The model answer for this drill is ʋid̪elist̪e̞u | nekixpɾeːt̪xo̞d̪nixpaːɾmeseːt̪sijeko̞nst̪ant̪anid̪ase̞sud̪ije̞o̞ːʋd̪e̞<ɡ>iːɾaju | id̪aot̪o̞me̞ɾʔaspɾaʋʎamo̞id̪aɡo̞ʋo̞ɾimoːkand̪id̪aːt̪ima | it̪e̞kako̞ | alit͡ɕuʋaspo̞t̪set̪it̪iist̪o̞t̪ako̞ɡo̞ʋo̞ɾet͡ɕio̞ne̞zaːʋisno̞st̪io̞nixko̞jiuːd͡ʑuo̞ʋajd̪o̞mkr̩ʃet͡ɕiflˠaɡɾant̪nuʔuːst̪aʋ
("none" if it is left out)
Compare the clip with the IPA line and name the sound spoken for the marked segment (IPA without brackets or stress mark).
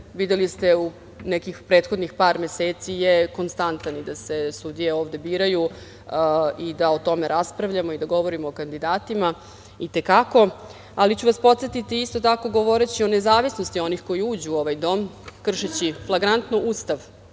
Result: b